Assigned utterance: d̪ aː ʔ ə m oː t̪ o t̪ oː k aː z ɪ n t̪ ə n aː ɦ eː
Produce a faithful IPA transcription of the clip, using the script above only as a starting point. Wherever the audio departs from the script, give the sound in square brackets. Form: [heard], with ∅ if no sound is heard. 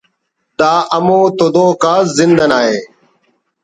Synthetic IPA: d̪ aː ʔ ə m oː t̪ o [d̪] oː k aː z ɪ n [d̪] ə n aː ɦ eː